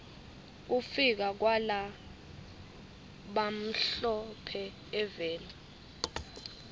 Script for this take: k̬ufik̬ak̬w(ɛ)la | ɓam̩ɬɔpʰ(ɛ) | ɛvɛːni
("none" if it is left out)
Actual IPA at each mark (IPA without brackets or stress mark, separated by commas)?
a, ɛ